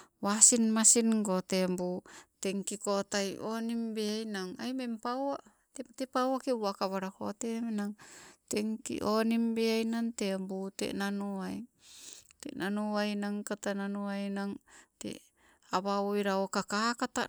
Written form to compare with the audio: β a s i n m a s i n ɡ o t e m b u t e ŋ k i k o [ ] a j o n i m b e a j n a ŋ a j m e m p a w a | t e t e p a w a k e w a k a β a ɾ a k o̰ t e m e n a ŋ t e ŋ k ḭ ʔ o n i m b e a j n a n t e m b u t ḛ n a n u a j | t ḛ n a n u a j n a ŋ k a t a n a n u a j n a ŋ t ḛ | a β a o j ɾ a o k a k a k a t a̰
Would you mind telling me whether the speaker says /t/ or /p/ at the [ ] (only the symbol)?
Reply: t